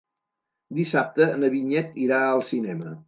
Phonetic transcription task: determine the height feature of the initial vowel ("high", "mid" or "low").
high